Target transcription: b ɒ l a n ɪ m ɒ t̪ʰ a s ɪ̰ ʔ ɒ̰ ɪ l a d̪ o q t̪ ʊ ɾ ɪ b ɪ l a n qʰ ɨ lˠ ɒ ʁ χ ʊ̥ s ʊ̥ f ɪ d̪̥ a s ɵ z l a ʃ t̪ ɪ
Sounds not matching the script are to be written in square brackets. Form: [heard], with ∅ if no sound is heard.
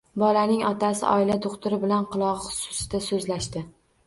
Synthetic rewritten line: b ɒ l a n ɪ [ŋ] ɒ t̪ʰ a s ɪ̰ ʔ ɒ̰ ɪ l a d̪ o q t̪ ʊ ɾ ɪ b ɪ l a n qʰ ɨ lˠ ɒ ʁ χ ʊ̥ s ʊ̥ [s] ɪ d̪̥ a s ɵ z l a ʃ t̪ ɪ